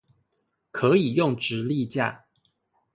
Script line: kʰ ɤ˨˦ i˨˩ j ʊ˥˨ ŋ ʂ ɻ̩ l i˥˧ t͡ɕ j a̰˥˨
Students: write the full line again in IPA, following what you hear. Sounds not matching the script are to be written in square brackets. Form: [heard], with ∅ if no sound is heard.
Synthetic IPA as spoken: kʰ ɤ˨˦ i˨˩ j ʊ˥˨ ŋ [ʈ͡ʂ] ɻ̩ l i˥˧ t͡ɕ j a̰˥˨